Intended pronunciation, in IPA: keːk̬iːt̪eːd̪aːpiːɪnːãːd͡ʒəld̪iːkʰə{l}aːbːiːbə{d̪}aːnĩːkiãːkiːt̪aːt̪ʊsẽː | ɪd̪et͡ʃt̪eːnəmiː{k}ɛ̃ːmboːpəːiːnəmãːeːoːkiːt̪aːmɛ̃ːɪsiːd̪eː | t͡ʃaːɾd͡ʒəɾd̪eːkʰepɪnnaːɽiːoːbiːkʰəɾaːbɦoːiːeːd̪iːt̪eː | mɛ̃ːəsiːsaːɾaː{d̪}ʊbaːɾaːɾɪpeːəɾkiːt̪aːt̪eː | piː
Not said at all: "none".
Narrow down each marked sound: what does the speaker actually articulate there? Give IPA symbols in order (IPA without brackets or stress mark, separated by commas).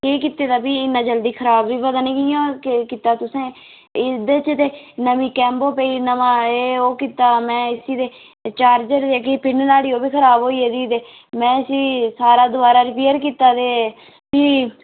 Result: ɾ, d̪, k, d̪